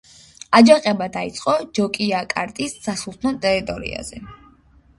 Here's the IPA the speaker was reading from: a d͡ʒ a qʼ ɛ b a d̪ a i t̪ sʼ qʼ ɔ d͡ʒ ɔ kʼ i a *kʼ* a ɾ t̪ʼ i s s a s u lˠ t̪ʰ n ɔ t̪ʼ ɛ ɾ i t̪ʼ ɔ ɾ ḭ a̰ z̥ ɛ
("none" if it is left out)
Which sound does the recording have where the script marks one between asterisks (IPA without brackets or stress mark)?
kʼ